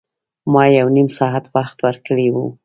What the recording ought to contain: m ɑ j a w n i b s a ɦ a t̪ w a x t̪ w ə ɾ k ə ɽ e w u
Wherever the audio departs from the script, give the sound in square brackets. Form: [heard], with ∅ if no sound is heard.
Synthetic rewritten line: m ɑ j a w n i [m] s [ɑ] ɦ a t̪ w a x t̪ w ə ɾ k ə ɽ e w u